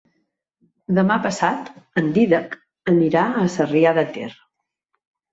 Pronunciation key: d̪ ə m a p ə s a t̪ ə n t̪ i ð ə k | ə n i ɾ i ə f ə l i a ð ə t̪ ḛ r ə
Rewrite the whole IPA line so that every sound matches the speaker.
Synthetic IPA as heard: d̪ ə m a p ə s a t̪ ə n d̪ i ð ə k | ə n i ɾ a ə s ə r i a ð ə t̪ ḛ r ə